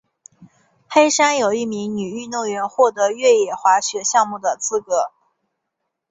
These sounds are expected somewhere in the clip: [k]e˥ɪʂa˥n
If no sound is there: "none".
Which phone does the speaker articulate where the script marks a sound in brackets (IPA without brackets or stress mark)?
x